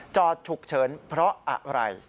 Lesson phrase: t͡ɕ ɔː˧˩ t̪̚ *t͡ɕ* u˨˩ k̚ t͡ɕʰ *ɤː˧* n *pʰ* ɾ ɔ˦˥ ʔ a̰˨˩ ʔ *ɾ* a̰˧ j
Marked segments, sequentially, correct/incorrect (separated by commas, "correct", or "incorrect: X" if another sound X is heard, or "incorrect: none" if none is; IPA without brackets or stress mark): incorrect: t͡ɕʰ, incorrect: ɤː˩˦, correct, correct